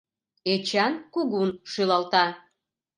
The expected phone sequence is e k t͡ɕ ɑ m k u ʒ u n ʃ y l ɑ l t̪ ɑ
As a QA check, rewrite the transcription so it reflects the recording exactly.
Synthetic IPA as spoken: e t͡ɕ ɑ n k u ɣ u n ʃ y l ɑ l t̪ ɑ